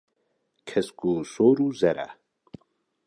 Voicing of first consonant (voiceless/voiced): voiceless